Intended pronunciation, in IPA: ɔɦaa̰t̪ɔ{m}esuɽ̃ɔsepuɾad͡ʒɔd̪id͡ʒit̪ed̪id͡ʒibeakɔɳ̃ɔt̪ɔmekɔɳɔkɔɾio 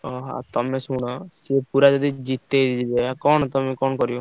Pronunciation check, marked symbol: correct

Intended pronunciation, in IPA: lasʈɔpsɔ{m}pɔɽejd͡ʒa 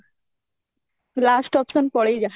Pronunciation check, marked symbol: incorrect: n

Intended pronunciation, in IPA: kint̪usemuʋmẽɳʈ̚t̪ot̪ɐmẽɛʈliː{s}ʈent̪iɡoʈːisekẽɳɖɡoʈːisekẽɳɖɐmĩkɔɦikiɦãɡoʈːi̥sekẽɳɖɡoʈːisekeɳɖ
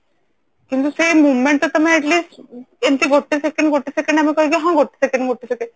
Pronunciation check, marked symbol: correct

